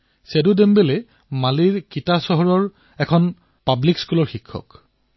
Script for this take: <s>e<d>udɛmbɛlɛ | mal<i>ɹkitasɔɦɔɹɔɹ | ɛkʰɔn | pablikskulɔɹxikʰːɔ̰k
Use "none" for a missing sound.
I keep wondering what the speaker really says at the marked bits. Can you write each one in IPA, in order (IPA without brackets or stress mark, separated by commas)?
s, d, i